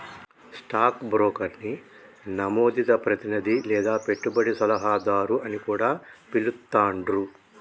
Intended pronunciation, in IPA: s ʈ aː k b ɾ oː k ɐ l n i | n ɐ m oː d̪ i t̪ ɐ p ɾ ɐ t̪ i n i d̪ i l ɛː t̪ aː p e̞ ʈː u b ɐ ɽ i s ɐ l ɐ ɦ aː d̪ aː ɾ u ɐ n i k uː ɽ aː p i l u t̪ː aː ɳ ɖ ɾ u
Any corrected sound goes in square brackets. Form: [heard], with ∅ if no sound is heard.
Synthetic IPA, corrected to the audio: s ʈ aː k b ɾ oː k ɐ [ɾ] n i | n ɐ m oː d̪ i t̪ ɐ p ɾ ɐ t̪ i n i d̪ i l ɛː [d̪] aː p e̞ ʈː u b ɐ ɽ i s ɐ l ɐ ɦ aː d̪ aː ɾ u ɐ n i k uː ɽ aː p i l u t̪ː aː ɳ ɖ ɾ u